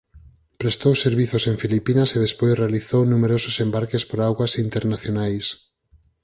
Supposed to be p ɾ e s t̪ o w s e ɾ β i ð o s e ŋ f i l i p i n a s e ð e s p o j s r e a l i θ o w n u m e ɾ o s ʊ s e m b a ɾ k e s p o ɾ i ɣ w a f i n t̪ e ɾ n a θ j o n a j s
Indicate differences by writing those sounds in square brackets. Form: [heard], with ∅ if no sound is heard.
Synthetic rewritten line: p ɾ e s t̪ o w s e ɾ β i [θ] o s e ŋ f i l i p i n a s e ð e s p o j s r e a l i θ o w n u m e ɾ o s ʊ s e m b a ɾ k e s p o ɾ [a] ɣ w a [s] i n t̪ e ɾ n a θ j o n a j s